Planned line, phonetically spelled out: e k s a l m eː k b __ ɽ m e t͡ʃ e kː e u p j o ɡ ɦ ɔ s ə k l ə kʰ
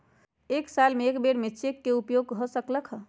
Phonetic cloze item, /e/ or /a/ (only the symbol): e